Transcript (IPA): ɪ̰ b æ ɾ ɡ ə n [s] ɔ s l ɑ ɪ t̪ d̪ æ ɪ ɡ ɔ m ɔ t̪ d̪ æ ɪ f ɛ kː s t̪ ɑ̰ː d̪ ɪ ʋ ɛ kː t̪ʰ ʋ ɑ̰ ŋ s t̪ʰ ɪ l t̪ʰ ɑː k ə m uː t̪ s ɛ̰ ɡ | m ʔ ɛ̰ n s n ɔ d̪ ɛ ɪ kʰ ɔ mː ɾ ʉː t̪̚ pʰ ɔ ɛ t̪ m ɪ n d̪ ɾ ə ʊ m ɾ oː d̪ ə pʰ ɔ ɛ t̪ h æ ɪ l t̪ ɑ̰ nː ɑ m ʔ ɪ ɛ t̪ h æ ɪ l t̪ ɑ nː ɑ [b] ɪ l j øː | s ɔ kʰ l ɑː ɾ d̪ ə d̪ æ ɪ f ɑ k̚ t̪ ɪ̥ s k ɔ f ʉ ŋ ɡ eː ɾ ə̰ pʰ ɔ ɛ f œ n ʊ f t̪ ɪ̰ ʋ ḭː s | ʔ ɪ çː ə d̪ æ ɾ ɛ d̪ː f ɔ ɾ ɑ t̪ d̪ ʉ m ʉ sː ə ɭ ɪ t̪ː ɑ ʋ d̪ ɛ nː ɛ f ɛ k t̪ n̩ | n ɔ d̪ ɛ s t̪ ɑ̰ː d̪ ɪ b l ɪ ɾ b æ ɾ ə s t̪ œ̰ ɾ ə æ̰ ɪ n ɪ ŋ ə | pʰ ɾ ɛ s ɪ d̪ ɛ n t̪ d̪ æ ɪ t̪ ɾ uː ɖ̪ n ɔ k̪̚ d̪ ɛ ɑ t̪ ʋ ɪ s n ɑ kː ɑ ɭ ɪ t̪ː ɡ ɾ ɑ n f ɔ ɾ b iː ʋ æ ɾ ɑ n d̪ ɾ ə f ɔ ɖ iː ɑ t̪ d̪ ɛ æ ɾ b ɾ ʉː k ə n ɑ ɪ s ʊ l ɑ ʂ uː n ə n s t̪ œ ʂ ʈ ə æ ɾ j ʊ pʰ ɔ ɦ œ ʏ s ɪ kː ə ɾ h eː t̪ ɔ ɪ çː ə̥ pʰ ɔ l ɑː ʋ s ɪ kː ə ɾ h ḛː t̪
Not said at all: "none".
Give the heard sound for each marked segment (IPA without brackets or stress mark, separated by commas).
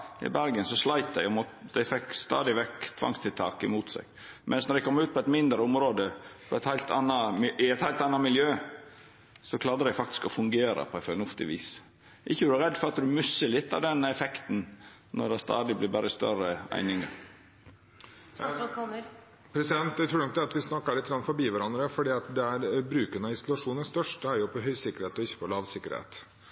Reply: s, m